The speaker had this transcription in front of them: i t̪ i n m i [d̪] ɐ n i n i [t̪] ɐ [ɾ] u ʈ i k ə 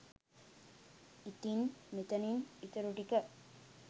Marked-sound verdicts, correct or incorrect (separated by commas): incorrect, correct, correct